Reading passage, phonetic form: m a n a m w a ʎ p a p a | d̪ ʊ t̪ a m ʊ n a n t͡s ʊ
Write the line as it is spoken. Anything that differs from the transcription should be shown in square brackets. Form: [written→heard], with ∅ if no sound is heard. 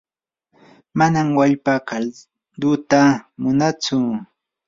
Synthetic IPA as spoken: m a n a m w a ʎ p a [p→k] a | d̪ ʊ t̪ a m ʊ n a [n→∅] t͡s ʊ